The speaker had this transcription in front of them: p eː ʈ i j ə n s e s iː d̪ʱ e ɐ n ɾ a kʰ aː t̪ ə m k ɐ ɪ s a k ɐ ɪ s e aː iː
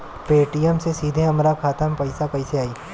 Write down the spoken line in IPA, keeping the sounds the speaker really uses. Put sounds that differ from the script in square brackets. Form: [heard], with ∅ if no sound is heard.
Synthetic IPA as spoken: p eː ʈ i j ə [m] s e s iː d̪ʱ e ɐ [m] ɾ a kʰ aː t̪ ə m [p] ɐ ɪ s a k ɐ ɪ s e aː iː